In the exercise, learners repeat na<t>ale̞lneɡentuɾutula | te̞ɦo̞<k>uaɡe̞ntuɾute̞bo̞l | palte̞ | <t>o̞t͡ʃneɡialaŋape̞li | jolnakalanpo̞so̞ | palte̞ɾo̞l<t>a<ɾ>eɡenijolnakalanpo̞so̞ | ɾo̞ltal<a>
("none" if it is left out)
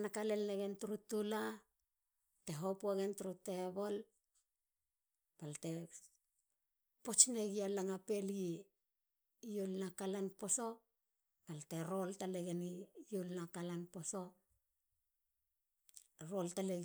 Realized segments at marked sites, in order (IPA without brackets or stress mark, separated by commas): k, p, p, t, l, e